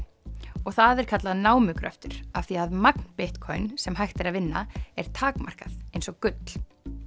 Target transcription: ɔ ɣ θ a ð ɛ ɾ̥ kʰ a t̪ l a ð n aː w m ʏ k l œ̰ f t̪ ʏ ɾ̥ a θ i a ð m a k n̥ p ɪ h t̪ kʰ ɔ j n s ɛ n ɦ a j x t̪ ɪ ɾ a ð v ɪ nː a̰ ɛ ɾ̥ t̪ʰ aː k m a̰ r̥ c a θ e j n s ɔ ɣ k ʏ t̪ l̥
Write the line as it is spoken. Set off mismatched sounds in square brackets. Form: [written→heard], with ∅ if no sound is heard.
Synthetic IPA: ɔ ɣ θ a ð ɛ ɾ̥ kʰ a t̪ l a ð n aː w m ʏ k [l→ɾ] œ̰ f t̪ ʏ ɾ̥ a θ i a ð m a k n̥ p ɪ h t̪ kʰ ɔ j n s ɛ [n→m] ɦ a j x t̪ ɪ ɾ a ð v ɪ nː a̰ ɛ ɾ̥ t̪ʰ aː k m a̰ r̥ [c→k] a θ e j n s ɔ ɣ k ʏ t̪ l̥